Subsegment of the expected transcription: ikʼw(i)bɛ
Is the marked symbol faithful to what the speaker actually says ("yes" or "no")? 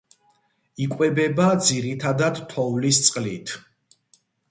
no